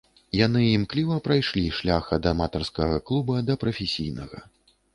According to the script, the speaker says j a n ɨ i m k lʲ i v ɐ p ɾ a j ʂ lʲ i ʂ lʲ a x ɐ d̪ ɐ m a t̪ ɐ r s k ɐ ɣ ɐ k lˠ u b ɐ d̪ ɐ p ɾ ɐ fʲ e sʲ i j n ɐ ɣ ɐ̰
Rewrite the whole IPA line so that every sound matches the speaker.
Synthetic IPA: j a n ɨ i m k lʲ i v ɐ p ɾ a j ʂ lʲ i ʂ lʲ a x ɐ d̪ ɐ m a t̪ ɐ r s k ɐ ɣ ɐ k lˠ u b ɐ d̪ ɐ p ɾ ɐ fʲ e sʲ i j n ɐ ɣ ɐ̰